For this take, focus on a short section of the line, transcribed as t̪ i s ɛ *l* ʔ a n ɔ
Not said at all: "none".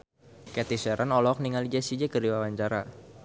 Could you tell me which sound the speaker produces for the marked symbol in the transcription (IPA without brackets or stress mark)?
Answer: ɾ